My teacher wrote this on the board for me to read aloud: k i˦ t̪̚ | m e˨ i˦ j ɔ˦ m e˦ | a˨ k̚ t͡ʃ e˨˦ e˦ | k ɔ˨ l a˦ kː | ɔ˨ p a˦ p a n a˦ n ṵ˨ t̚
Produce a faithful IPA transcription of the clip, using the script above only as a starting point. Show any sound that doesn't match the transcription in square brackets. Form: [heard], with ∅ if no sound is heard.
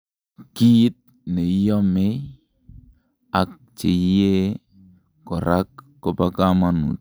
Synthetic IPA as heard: k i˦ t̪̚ | [n] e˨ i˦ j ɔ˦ m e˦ | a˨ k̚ t͡ʃ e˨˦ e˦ | k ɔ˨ [ɾ] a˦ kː | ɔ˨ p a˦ [k] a [m] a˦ n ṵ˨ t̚